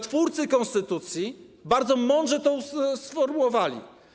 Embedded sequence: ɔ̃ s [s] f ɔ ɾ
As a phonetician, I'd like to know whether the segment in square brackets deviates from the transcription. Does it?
no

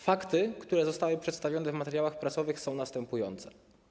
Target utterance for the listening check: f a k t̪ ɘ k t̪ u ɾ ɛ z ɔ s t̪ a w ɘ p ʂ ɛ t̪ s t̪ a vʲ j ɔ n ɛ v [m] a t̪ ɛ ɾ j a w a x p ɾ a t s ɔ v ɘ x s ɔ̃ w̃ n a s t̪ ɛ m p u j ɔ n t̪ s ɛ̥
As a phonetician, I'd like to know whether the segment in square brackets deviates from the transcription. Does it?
no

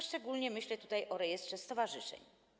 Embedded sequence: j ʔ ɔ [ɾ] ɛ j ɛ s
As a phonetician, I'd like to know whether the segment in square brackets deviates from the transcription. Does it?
no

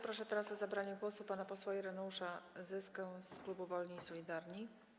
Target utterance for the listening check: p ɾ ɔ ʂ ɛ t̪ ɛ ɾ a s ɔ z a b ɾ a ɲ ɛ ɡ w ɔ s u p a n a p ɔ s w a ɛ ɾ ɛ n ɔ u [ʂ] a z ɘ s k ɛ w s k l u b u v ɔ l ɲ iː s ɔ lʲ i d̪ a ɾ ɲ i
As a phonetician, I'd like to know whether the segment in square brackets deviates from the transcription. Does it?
no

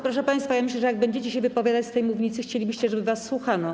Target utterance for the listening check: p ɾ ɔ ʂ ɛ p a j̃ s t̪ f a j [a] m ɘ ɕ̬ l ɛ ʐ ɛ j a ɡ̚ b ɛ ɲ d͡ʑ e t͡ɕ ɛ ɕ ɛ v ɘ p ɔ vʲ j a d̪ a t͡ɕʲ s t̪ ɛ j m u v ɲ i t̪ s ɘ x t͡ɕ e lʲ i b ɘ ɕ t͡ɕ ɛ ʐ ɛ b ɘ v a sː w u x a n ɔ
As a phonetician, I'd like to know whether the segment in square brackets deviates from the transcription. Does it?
no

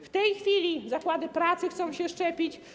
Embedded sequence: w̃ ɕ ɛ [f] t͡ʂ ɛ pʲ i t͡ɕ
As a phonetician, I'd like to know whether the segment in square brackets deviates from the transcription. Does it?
yes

